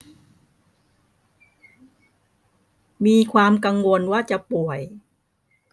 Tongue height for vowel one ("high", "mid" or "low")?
high